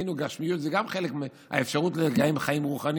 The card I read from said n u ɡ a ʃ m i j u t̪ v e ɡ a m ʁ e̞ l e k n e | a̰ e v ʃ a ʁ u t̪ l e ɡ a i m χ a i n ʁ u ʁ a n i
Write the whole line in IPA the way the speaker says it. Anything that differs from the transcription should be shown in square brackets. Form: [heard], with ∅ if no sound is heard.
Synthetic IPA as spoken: n u ɡ a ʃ m i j u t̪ [z] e ɡ a m [χ] e̞ l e k [m] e | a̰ e [f] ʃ a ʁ u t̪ l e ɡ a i m χ a i [m] ʁ u [χ] a n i

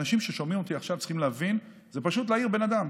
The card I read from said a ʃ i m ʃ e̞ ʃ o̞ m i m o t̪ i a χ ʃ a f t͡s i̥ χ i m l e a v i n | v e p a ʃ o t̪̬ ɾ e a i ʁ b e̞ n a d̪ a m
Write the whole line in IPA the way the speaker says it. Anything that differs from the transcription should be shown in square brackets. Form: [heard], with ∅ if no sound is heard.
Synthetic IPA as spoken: a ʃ i m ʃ e̞ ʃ o̞ m i m o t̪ i a χ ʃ a [v] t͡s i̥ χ i m l e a v i n | [z] e p a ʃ [u] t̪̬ [l] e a i ʁ b e̞ n a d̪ a m

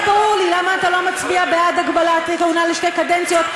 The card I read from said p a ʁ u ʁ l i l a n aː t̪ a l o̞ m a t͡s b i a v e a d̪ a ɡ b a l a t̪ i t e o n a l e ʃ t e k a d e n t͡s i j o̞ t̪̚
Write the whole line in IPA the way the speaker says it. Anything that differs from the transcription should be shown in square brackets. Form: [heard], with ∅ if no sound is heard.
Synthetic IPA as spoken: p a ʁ u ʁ l i l a [m] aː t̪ a l o̞ m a t͡s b i a [b] e a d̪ a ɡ b a l a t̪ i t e [u] n a l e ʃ t e k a d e n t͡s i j o̞ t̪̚

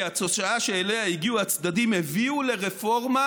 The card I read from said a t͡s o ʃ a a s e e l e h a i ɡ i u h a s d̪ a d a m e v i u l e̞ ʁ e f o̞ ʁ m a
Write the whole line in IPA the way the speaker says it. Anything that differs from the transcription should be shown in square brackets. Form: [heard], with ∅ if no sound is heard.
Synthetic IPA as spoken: a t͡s o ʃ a a [ʃ] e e l e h a i ɡ i u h a [t͡s] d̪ a d [i] m e v i u l e̞ ʁ e f o̞ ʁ m a

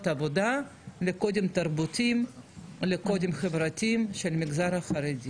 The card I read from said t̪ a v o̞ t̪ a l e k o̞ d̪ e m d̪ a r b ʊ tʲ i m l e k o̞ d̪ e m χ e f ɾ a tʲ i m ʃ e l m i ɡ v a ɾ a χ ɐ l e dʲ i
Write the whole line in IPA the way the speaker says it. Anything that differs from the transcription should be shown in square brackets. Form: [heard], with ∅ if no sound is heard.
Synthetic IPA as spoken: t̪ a v o̞ [d̪] a l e k o̞ d̪ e m [t̪] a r b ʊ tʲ i m l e k o̞ d̪ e m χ e [v] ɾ a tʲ i m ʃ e l m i ɡ [z] a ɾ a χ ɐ [ɾ] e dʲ i

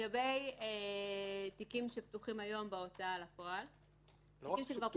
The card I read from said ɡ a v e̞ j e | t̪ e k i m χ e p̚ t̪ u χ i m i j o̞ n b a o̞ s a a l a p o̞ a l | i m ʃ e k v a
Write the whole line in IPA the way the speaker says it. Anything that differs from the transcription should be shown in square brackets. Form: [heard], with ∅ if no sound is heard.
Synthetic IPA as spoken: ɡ a [b] e̞ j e | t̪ [i] k i m [ʃ] e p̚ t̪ u χ i m [a] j o̞ [m] b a o̞ [t͡s] a a l a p o̞ a l | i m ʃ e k v a

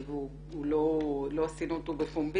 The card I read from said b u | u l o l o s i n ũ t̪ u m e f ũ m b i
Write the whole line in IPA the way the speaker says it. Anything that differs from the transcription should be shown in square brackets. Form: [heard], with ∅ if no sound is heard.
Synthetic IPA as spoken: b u | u l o l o s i n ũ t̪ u [b] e f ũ m b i

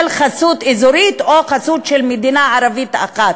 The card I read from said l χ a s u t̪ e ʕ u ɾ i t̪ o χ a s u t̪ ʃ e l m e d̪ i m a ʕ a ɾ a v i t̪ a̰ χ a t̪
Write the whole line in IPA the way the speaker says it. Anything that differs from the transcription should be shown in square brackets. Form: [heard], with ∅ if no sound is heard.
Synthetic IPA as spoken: l χ a s u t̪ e [z] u ɾ i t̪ o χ a s u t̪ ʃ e l m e d̪ i [n] a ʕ a ɾ a v i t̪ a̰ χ a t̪

